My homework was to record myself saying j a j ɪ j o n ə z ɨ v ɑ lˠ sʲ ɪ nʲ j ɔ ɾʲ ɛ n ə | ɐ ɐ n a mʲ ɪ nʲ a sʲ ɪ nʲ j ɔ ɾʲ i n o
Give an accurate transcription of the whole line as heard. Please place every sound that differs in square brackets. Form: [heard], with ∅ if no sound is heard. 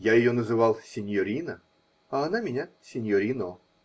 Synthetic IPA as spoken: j a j ɪ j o n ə z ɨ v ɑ lˠ sʲ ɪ nʲ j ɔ ɾʲ [i] n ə | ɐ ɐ n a mʲ ɪ nʲ a sʲ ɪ nʲ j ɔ ɾʲ i n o